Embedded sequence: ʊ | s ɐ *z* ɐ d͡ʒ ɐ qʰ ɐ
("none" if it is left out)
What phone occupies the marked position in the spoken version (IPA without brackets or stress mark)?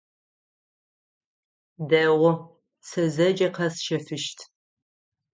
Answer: z